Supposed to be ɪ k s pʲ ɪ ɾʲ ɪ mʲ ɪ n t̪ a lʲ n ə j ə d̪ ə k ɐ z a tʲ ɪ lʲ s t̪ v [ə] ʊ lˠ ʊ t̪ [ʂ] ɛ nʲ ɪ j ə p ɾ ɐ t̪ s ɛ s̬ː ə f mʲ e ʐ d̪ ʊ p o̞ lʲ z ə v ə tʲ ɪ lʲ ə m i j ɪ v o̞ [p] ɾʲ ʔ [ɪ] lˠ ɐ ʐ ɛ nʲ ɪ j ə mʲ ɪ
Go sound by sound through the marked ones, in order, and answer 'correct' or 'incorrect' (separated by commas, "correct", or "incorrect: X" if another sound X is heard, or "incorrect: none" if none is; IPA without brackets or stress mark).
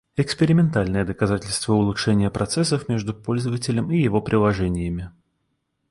correct, correct, correct, correct